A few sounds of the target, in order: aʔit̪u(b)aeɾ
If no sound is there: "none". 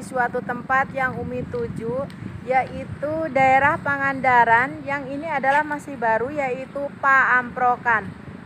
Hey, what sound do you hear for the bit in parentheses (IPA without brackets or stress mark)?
d